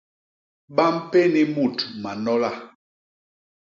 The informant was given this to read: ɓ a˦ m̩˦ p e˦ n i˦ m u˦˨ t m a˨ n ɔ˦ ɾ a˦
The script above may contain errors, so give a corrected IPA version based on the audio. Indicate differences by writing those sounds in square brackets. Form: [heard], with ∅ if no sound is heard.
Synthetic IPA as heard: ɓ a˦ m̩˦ p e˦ n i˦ m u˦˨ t m a˨ n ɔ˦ [l] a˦